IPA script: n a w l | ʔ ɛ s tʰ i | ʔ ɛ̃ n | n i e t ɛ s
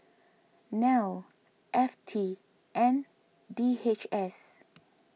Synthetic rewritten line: n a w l | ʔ ɛ f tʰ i | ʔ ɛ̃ n | d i e t͡ʃ ɛ s